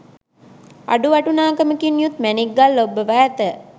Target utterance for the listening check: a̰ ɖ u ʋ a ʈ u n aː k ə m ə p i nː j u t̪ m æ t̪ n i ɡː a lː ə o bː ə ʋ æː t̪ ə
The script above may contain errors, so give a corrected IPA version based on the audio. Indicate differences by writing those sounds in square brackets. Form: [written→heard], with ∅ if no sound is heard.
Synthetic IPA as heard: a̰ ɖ u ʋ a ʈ u n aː k ə m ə [p→k] i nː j u t̪ m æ [t̪→∅] n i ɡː a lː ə o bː ə ʋ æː t̪ ə